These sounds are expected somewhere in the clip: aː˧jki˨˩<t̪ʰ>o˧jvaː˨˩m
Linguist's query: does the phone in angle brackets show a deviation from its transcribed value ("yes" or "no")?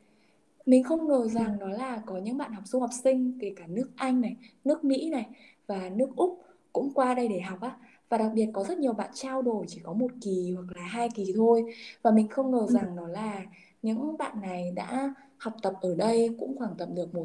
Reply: no